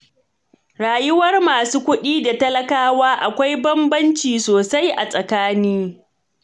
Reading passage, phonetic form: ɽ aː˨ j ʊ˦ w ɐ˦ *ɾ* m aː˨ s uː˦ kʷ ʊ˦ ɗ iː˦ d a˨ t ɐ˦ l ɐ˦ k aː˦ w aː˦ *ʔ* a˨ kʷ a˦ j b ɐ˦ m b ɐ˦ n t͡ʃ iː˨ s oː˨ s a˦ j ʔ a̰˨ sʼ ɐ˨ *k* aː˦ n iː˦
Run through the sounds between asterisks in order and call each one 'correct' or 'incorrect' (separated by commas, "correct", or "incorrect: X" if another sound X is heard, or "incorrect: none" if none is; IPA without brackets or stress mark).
incorrect: r, correct, correct